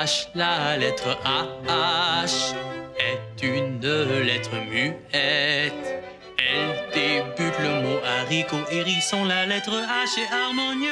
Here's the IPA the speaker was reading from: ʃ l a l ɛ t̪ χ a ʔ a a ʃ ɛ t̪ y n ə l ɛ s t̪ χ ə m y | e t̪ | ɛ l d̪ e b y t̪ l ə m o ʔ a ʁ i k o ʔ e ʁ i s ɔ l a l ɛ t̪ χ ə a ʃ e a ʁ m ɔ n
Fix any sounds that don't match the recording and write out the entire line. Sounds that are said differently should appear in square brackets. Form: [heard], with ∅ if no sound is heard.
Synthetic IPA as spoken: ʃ l a l ɛ t̪ χ [ə] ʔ a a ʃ ɛ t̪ y n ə l ɛ [∅] t̪ χ ə m y | [ɛ] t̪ | ɛ l d̪ e b y t̪ l ə m o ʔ a ʁ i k o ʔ e ʁ i s [ɔ̃] l a l ɛ t̪ χ ə a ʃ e a ʁ m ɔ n